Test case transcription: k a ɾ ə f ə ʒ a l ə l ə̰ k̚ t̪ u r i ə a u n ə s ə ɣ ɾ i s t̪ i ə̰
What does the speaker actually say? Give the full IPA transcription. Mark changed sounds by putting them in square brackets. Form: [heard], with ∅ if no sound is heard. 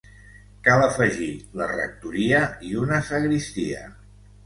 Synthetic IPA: k a [l] ə f ə ʒ [i] l ə [r] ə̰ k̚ t̪ u [ɾ] i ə [i] u n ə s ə ɣ ɾ i s t̪ i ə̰

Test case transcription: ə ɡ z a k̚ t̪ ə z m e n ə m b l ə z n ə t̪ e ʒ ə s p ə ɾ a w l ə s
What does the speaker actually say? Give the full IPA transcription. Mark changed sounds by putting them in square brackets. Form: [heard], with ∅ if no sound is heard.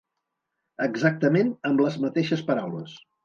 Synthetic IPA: ə ɡ z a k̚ t̪ ə [∅] m e n ə m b l ə z [m] ə t̪ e [ʃ] ə s p ə ɾ a w l ə s

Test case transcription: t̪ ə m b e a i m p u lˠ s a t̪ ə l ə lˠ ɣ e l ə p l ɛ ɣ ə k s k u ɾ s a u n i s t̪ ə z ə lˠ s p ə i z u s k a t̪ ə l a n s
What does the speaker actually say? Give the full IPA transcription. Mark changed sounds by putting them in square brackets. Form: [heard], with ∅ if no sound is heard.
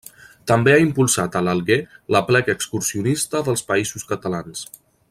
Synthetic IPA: t̪ ə m b e a i m p u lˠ s a t̪ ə l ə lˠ ɣ e l ə p l ɛ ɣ ə k s k u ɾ s [i] u n i s t̪ ə [ð] ə lˠ s p ə i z u s k [ə] t̪ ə l a n s

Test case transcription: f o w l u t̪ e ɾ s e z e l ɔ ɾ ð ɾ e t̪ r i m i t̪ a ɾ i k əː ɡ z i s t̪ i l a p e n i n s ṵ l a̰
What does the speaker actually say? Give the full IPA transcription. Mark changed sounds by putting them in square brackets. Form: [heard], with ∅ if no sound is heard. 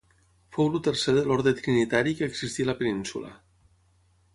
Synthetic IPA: f o w l u t̪ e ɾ s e [ð] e l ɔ ɾ ð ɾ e t̪ [ɾ] i [n] i t̪ a ɾ i k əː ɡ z i s t̪ i l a p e n i n s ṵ l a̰

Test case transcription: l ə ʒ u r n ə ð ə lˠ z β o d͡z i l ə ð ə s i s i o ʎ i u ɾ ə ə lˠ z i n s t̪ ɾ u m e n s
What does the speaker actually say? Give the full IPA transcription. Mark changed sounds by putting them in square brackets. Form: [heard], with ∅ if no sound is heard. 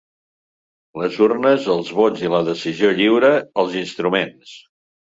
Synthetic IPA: l ə [z] u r n ə [z] ə lˠ z β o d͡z i l ə ð ə s i [z] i o ʎ i [w] ɾ ə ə lˠ z i n s t̪ ɾ u m e n s

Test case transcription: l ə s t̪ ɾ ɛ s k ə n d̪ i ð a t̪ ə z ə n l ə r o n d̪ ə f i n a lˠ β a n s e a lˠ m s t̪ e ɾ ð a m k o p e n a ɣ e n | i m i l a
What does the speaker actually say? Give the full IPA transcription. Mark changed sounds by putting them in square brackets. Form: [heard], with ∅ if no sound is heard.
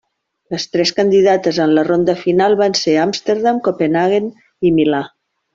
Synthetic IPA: l ə s t̪ ɾ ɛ s k ə n d̪ i ð a t̪ ə z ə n l ə r o n d̪ ə f i n a lˠ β a n s e a [∅] m s t̪ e ɾ ð a m k o p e n a ɣ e n | i m i l a

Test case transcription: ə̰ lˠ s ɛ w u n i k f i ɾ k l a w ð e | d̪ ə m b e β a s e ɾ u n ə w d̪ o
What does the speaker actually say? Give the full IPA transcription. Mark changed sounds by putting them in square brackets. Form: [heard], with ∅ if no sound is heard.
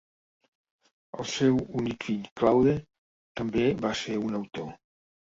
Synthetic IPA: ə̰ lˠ s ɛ w u n i k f i [ʎ] k l a w ð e | [t̪] ə m b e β a s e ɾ u n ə w [t̪] o

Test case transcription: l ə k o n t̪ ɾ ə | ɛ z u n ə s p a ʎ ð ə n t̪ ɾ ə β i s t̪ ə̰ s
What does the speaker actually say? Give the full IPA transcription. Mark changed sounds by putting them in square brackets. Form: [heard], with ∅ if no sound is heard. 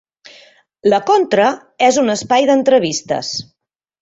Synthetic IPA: l ə k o n t̪ ɾ ə | ɛ z u n ə s p a [j] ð ə n t̪ ɾ ə β i s t̪ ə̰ s

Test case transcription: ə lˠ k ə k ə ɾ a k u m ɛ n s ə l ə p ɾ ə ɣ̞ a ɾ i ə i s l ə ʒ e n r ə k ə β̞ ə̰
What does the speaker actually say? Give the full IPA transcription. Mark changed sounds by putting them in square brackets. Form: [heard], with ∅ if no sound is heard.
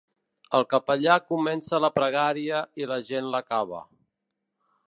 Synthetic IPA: ə lˠ k ə [p] ə [ʎ] a k u m ɛ n s ə l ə p ɾ ə ɣ̞ a ɾ i ə i [∅] l ə ʒ e n [l] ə k [a] β̞ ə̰

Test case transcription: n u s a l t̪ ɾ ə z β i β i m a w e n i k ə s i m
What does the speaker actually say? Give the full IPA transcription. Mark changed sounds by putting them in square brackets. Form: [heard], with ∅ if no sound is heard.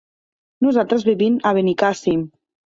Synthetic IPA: n u [z] a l t̪ ɾ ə z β i β i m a [β] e n i k [a] s i m

